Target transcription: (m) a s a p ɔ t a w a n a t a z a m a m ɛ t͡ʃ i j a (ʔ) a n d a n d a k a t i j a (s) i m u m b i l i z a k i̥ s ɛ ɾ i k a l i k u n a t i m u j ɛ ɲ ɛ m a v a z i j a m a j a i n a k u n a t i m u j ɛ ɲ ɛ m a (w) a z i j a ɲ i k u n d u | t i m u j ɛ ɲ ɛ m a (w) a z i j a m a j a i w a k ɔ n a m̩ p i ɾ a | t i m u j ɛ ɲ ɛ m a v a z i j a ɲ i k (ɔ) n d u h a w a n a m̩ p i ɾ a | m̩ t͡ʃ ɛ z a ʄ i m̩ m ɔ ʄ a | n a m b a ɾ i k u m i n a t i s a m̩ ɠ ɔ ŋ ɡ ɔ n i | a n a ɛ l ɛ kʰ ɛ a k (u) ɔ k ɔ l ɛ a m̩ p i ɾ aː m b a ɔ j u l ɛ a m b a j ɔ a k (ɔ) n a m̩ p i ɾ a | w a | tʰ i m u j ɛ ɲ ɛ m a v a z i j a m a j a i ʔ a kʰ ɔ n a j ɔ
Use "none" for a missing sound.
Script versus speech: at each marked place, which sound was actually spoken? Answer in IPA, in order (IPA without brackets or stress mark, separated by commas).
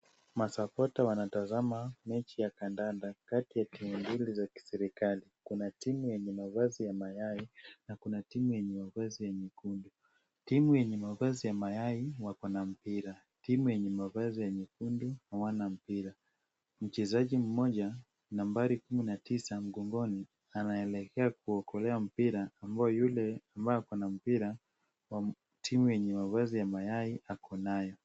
m, k, t, v, v, u, u, ɔ